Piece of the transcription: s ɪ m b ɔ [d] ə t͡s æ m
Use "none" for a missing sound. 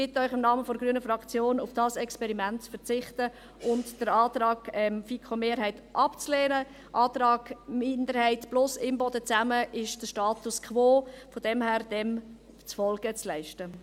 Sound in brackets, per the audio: d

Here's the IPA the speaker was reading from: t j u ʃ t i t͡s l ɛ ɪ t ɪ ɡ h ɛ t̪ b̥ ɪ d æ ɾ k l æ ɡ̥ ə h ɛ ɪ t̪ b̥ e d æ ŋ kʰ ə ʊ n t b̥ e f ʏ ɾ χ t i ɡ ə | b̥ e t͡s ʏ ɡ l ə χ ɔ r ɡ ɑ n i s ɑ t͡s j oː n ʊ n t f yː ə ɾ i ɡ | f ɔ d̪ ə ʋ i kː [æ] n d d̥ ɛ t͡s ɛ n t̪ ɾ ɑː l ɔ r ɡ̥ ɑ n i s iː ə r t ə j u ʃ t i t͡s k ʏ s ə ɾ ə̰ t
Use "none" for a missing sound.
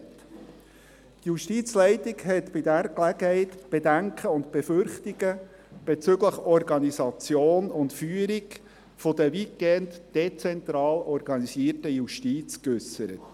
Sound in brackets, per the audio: ɛ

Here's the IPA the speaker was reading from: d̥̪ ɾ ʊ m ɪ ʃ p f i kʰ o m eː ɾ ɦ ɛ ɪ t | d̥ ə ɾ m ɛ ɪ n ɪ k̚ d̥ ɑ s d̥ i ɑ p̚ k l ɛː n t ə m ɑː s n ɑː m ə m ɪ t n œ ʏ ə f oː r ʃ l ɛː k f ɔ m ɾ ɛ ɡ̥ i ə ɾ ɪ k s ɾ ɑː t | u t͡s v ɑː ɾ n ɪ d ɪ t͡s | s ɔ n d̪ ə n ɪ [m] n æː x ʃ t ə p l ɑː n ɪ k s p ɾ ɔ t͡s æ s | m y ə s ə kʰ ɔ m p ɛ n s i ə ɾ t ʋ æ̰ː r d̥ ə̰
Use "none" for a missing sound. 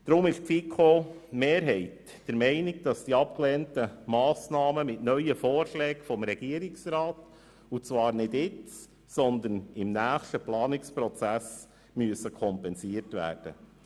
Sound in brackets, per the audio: m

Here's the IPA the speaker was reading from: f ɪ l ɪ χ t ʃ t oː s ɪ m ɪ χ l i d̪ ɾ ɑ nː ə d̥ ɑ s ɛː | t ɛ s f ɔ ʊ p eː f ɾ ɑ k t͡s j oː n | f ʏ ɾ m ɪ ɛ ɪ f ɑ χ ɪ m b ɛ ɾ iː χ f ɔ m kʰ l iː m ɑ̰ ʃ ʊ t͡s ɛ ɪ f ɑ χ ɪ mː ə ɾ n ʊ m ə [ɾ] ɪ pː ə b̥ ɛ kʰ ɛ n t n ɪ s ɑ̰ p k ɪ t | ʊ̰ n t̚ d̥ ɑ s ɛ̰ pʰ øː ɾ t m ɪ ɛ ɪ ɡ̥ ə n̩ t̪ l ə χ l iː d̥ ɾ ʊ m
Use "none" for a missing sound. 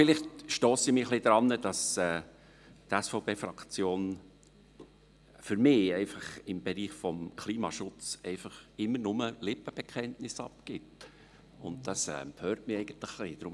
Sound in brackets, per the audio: l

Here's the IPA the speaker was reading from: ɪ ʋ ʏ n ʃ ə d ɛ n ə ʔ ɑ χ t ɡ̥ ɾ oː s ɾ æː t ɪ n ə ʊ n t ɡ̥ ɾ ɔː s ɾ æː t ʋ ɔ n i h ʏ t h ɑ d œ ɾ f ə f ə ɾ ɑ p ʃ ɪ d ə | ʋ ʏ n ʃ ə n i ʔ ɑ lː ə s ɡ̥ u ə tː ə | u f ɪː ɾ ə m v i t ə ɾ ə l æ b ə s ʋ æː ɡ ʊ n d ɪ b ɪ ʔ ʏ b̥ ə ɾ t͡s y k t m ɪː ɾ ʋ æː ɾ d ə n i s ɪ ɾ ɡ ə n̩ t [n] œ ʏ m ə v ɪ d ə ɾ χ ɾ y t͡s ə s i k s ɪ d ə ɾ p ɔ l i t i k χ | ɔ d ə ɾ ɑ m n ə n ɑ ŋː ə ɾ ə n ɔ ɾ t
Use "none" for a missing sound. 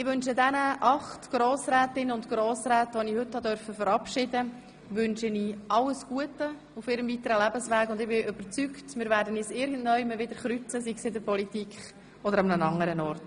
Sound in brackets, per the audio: n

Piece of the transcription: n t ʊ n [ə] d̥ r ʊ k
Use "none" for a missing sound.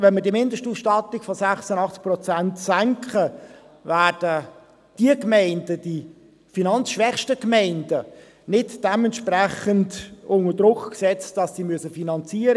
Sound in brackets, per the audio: ə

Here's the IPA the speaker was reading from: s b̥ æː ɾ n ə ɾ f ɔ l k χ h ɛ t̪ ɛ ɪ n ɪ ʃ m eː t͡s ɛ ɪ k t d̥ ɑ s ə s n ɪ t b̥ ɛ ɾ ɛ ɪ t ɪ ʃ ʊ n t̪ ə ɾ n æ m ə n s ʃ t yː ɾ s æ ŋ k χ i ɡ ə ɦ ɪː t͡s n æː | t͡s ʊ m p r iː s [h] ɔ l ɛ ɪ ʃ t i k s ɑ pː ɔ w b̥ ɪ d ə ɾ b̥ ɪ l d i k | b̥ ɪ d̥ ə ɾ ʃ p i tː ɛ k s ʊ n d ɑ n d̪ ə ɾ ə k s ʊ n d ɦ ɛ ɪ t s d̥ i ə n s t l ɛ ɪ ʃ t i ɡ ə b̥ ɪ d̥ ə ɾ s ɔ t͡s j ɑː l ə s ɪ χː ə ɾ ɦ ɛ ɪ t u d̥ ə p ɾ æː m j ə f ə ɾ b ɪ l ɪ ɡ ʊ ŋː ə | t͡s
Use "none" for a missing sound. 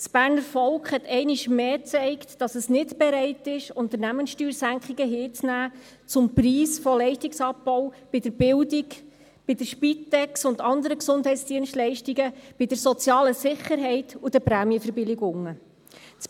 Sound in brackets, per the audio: f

